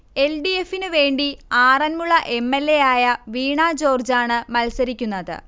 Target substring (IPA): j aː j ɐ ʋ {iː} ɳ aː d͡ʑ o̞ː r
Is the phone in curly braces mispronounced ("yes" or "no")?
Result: no